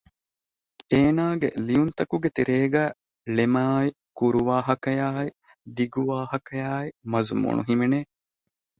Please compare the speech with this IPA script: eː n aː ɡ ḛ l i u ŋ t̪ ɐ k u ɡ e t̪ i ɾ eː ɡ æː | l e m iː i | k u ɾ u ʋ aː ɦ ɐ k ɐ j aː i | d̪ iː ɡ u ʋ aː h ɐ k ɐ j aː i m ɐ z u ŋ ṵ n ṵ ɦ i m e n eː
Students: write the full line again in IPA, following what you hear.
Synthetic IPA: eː n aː ɡ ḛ l i u n t̪ ɐ k u ɡ e t̪ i ɾ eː ɡ æː | l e m aː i | k u ɾ u ʋ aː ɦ ɐ k ɐ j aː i | d̪ i ɡ u ʋ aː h ɐ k ɐ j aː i m ɐ z u m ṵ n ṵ ɦ i m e n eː